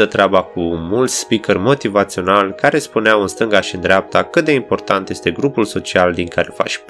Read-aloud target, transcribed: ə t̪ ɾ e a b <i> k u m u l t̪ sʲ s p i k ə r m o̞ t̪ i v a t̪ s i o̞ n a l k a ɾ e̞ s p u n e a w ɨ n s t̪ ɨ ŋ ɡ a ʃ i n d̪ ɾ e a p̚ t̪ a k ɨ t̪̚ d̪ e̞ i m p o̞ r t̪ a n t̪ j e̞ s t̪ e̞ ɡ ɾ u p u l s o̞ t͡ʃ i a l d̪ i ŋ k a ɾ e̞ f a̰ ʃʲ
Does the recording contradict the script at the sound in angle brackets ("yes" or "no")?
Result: yes